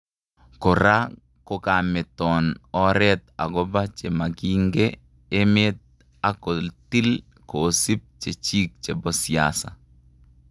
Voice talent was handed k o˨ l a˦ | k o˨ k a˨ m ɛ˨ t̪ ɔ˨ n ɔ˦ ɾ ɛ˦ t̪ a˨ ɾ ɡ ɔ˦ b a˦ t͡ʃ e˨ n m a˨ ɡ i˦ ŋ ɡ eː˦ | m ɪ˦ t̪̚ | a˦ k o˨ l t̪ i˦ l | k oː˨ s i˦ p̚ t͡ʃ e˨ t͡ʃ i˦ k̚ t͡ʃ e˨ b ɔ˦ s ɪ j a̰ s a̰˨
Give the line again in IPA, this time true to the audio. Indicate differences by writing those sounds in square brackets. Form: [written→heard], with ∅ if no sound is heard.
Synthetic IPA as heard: k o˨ [l→ɾ] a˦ | k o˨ k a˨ m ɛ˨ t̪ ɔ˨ n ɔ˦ ɾ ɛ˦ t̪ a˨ [ɾ→∅] ɡ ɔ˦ b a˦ t͡ʃ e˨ [n→∅] m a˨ ɡ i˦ ŋ ɡ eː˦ | m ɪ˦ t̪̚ | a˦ k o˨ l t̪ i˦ l | k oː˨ s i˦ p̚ t͡ʃ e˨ t͡ʃ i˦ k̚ t͡ʃ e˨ b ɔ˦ s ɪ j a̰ s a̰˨